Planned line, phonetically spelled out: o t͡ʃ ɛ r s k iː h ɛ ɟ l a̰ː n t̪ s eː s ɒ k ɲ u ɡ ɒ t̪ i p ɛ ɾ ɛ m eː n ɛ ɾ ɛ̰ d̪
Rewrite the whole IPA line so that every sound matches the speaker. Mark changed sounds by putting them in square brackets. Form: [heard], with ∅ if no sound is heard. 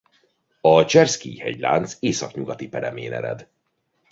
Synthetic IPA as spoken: [ɒ] t͡ʃ ɛ r s k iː h ɛ ɟ l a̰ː n t̪ s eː s ɒ k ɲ u ɡ ɒ t̪ i p ɛ ɾ ɛ m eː n ɛ ɾ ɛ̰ d̪